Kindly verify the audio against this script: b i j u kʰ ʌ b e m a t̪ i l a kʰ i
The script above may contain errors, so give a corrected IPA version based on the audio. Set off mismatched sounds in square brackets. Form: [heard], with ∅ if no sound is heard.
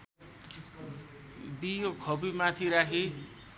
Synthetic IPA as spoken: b i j [o] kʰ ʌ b [i] m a [t̪ʰ] i [ɾ] a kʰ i